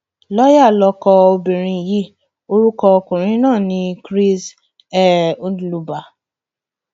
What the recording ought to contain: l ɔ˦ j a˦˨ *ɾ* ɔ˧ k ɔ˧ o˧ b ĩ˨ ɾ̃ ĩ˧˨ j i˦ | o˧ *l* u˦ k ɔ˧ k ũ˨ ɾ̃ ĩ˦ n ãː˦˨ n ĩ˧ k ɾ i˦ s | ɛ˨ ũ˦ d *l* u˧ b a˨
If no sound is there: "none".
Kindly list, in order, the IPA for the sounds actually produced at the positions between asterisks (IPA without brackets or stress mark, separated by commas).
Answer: l, ɾ, l